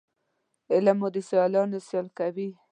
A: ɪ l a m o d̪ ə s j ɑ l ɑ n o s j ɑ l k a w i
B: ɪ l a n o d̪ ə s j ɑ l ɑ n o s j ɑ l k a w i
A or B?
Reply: A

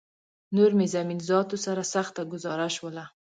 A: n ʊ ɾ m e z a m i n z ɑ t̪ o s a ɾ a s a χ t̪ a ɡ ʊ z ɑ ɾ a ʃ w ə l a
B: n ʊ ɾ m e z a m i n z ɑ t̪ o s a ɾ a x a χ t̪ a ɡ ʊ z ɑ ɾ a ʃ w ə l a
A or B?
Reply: A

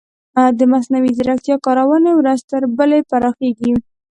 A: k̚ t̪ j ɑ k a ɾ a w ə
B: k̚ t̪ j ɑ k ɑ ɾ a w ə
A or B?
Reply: B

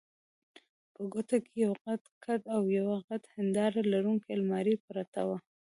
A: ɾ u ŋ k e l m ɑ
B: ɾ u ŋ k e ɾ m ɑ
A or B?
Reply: A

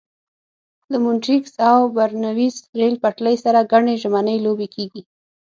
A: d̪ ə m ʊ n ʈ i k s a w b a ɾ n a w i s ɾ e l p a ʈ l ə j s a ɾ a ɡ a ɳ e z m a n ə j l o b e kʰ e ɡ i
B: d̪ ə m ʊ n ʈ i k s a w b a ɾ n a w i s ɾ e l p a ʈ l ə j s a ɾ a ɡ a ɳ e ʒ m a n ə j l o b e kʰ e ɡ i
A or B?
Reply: B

